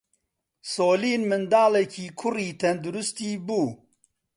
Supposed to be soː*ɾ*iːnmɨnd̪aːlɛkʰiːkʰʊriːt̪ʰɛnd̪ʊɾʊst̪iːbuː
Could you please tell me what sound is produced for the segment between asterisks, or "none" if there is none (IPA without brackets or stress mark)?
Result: l